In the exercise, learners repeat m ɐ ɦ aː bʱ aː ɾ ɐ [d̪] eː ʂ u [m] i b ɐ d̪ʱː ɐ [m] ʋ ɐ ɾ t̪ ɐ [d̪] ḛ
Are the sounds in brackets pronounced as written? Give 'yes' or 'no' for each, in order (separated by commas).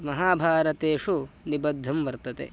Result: no, no, yes, no